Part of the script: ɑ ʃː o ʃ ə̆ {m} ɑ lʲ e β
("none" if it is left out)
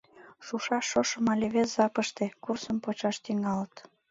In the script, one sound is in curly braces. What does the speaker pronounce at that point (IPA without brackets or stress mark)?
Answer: m